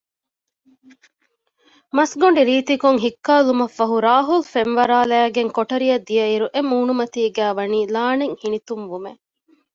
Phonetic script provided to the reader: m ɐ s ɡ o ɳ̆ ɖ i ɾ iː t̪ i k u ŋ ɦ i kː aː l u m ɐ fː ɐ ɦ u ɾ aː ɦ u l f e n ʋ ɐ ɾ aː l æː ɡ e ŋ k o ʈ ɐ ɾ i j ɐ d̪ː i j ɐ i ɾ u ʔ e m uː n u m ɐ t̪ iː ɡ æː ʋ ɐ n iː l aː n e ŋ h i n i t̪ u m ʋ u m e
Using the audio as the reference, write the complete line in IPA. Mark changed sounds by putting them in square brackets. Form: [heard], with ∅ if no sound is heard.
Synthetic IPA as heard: m ɐ s ɡ o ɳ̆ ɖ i ɾ iː t̪ i k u ŋ ɦ i kː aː l u m ɐ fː ɐ ɦ u ɾ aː ɦ u l f e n ʋ ɐ ɾ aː l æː ɡ e ŋ k o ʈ ɐ ɾ i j ɐ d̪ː i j ɐ i ɾ u ʔ e m uː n u m ɐ t̪ iː ɡ æː ʋ ɐ n iː l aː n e ŋ h i n i t̪ u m ʋ u m e